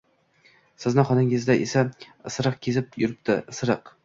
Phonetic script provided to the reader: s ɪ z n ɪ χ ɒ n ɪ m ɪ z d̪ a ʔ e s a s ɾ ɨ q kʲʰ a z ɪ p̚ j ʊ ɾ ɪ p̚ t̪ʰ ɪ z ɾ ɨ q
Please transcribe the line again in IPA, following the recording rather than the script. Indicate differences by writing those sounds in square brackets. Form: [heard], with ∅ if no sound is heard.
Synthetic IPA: s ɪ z n ɪ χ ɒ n ɪ [ŋ] ɪ z d̪ a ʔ e s a s ɾ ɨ q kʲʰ [e] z ɪ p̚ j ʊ ɾ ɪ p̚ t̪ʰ ɪ [s] ɾ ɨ q